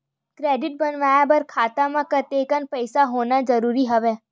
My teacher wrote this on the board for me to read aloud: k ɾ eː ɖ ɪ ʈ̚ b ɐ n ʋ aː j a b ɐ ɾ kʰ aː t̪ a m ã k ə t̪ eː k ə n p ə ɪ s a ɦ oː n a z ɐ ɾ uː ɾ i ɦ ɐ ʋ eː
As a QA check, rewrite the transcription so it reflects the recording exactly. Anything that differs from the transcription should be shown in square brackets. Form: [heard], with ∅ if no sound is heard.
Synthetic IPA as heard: k ɾ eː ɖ ɪ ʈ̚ b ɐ n ʋ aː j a b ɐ ɾ kʰ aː t̪ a m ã k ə t̪ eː k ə n p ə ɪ s a ɦ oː n a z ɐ ɾ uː ɾ i ɦ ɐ ʋ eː